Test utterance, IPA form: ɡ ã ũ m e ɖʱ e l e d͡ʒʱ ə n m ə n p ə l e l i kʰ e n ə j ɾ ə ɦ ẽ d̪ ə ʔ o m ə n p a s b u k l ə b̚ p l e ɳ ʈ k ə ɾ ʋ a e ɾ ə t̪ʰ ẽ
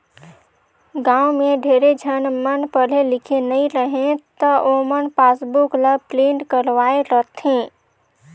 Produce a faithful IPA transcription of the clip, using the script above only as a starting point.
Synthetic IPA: ɡ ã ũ m e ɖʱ e ɾ e d͡ʒʱ ə n m ə n p ə l e l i kʰ e n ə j ɾ ə ɦ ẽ t̪ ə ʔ o m ə n p a s b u k l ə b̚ p l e ɳ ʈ k ə ɾ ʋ a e ɾ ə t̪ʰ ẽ